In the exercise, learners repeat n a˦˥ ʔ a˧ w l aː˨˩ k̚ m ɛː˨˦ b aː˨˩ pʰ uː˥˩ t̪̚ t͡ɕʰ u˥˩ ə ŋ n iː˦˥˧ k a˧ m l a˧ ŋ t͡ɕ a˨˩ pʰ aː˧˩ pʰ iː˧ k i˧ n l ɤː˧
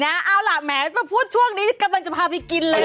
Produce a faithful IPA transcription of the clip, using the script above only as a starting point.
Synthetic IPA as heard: n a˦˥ ʔ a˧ w l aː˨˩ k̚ m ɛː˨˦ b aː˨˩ pʰ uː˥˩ t̪̚ t͡ɕʰ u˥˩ ə ŋ n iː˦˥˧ k a˧ m l a˧ ŋ t͡ɕ a˨˩ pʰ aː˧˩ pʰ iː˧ k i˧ n l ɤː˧